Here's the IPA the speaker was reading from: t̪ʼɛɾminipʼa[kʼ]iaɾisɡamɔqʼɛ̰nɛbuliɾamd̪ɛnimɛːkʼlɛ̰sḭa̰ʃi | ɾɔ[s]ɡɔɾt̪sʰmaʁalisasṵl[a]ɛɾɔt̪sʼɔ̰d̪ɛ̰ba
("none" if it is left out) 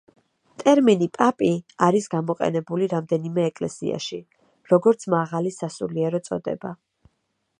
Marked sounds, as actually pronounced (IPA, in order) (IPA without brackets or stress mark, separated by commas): pʼ, none, i